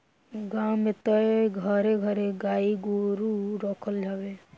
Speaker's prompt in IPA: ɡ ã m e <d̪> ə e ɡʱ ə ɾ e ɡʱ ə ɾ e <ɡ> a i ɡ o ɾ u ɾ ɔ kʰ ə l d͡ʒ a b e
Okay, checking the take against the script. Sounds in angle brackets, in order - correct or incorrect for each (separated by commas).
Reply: incorrect, correct